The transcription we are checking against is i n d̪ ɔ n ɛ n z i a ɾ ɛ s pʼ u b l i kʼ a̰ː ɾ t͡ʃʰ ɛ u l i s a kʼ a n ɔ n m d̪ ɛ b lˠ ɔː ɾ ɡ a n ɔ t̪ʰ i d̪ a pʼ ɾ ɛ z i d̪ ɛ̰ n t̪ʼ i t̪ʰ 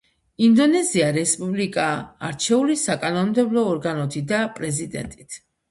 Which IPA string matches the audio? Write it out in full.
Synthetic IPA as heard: i n d̪ ɔ n ɛ z i a ɾ ɛ s pʼ u b l i kʼ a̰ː ɾ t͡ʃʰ ɛ u l i s a kʼ a n ɔ n m d̪ ɛ b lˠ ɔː ɾ ɡ a n ɔ t̪ʰ i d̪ a pʼ ɾ ɛ z i d̪ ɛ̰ n t̪ʼ i t̪ʰ